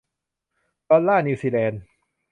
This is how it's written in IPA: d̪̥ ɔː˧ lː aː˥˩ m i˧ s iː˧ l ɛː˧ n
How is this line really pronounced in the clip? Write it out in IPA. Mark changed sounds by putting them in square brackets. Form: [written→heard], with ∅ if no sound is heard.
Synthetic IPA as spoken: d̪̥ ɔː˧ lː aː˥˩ [m→n] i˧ s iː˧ l ɛː˧ n